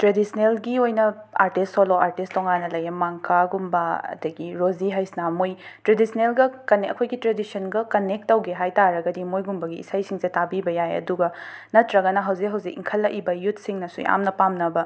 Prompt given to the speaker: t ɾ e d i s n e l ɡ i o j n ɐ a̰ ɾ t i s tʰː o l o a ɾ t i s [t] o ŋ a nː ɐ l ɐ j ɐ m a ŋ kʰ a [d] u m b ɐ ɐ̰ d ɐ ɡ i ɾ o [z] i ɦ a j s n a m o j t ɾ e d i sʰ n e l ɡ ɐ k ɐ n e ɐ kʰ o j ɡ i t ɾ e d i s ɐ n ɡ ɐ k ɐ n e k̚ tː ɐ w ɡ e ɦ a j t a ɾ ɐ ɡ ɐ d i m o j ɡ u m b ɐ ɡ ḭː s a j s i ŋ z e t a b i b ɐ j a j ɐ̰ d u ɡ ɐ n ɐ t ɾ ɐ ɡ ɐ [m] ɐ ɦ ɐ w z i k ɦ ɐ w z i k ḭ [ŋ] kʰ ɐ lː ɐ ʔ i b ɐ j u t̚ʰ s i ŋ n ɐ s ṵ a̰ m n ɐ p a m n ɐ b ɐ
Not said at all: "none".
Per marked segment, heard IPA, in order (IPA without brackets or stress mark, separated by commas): t, ɡ, z, n, ŋ